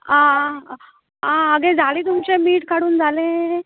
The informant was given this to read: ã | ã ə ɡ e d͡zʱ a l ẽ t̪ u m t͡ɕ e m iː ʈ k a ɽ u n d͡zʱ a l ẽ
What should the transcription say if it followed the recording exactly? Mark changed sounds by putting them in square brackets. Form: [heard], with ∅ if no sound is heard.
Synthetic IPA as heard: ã | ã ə ɡ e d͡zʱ a l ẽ t̪ u m t͡ɕ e m iː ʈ k a ɽ [uː] n d͡zʱ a l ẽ